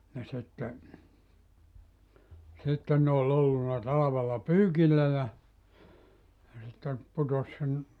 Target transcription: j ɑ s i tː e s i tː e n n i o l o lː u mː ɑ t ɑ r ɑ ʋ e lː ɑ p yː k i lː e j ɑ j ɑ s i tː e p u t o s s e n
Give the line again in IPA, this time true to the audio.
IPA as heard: j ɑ s i tː e s i tː e n n e o l o lː u nː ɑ t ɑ l ɑ ʋ e lː ɑ p yː k i lː æ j ɑ j ɑ s i tː e p u t o s s e n

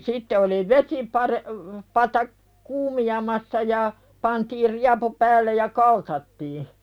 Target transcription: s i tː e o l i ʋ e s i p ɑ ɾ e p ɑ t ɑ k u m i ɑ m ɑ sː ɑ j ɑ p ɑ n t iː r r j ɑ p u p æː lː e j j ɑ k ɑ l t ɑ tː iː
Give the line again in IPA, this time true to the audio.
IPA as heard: s i tː e o l i ʋ e s i p ɑ ɾ e p ɑ t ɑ k uː m i ɑ m ɑ sː ɑ j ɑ p ɑ n t iː r r i ɑ p u p æː lː e j j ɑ k ɑ l t ɑ tː iː

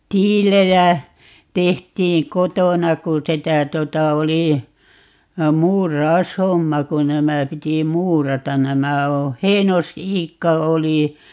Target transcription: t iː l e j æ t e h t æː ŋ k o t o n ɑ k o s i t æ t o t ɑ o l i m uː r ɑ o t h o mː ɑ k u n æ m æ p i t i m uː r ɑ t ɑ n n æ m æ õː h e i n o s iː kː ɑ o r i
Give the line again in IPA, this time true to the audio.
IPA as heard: t iː l e j æ t e h t iː ŋ k o t o n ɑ k u s i t æ t o t ɑ o l i m uː r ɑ o s h o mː ɑ k u n æ m æ p i t i m uː r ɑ t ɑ n n æ m æ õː h e i n o s iː kː ɑ o l i

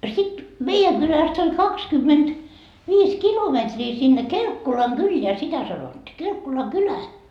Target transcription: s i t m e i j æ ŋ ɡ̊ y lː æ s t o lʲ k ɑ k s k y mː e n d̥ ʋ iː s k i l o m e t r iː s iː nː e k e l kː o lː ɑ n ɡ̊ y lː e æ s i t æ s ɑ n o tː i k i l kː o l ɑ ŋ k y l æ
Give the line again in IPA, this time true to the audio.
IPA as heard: s i t m e i j æ ŋ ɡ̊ y l æ s t o lʲ k ɑ k s k y mː e n d̥ ʋ iː s k i l o m e t r iː s i nː e k e l kː o l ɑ ŋ ɡ̊ y lː e æ s i t æ s ɑ n o tː i k e l kː o l ɑ ŋ k y l æ

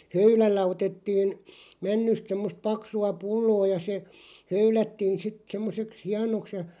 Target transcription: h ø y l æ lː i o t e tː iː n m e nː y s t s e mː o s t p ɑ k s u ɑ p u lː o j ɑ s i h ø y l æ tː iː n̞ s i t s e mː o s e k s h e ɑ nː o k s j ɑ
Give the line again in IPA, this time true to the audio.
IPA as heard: h ø y l æ lː æ o t e tː iː n m æ nː y s t s e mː o s t p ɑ k s u ɑ p u lː oː j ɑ s e h ø y l æ tː iː n̞ s i t s e mː o s e k s h i ɑ n o k s j ɑ

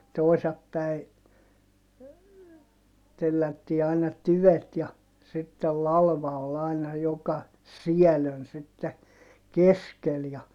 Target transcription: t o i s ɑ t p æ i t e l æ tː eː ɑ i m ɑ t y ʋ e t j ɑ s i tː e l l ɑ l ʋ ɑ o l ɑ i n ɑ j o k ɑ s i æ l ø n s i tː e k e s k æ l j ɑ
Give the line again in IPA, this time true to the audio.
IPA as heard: t o i s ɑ p p æ i t e lː æ tː iː ɑ i n ɑ t y ʋ e t j ɑ s i tː e l l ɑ l ʋ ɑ o l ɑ i n ɑ j o k ɑ s i æ l ø n s i tː e k e s k e l j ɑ

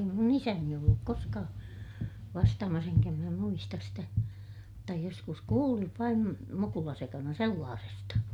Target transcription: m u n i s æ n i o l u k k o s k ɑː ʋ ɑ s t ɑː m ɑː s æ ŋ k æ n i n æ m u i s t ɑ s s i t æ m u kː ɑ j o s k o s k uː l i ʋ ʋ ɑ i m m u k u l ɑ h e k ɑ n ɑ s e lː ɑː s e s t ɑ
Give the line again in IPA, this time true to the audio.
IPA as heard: m u n i s æ n i o lː u k k o s k ɑː ʋ ɑ s t ɑː m ɑ s e ŋ k æ m i n æ m u i s t ɑ s s i t æ m u tː ɑ j o s k u s k uː l i ʋ ʋ ɑ i m m u k u l ɑ s e k ɑ n ɑ s e lː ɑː s e s t ɑ

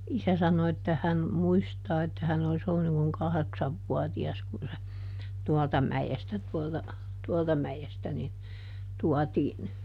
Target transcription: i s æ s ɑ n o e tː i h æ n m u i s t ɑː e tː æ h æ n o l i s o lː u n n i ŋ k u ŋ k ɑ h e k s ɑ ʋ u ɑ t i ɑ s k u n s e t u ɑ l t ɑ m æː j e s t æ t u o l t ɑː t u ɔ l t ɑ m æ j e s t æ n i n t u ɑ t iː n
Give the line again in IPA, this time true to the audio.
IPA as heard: i s æ s ɑ n o e tː æ h æ n m u i s t ɑː e tː æ h æ n o l i s o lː u n n i ŋ k u ŋ k ɑ h e k s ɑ ʋː u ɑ t i ɑ s k u n s e t u ɑ l t ɑ m æ j e s t æ t u o l t ɑ t u ɔ l t ɑ m æ j e s t æ n i n t u ɑ t iː n

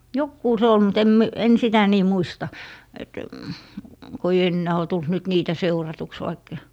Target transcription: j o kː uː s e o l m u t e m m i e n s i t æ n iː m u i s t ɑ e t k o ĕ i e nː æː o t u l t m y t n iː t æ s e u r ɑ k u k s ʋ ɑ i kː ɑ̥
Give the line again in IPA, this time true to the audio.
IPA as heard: j o kː uː s e o l m u t e m m i e n s i t æ n iː m u i s t ɑ e t k o ĕ i e nː æː o t u l t n y t n iː t æ s e u r ɑ t u k s ʋ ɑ i kː ɑ̥

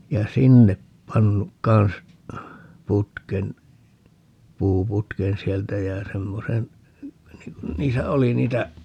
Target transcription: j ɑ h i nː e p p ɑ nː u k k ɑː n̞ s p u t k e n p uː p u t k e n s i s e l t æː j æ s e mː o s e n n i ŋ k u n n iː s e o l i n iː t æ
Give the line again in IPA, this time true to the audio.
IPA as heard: j ɑ s i nː e p p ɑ nː u k k ɑ n̞ s p u t k e n p uː p u t k e n s i e l t æ j æ s e mː o s e n n i ŋ k u n n iː s æ o l i n iː t æ

